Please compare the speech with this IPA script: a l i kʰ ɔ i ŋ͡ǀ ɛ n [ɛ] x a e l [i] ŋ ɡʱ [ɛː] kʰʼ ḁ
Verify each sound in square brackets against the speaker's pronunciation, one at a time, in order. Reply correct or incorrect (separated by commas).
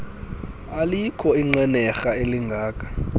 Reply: correct, correct, incorrect